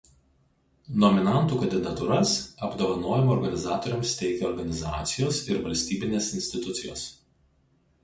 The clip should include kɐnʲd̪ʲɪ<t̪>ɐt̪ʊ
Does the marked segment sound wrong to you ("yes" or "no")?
yes